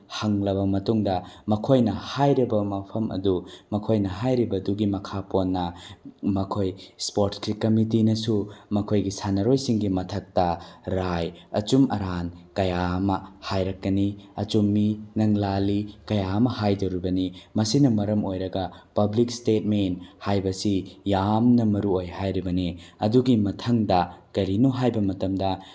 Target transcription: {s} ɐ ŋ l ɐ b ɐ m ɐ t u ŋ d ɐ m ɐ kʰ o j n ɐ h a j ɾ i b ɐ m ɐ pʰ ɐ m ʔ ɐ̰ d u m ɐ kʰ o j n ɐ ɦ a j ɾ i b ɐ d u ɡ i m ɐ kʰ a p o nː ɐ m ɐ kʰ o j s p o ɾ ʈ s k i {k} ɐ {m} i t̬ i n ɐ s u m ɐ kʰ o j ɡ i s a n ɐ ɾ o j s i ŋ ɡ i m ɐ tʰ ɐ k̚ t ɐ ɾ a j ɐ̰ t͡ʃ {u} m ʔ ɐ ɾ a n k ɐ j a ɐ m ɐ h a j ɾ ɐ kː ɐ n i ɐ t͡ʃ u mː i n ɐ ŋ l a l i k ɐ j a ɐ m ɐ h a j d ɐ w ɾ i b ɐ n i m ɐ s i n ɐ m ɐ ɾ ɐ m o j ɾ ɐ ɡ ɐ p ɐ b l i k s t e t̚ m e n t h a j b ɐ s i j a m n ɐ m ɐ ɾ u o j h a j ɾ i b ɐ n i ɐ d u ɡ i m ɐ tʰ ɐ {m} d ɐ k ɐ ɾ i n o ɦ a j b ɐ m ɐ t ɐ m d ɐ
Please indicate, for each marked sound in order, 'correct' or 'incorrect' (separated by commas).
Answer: incorrect, correct, correct, correct, incorrect